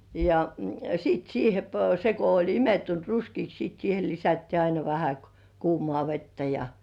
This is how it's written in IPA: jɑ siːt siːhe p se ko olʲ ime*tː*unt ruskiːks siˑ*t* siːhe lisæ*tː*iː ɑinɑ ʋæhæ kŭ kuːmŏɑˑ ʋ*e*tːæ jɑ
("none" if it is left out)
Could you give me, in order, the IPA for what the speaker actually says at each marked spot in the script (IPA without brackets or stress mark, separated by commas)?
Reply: tː, t, tː, e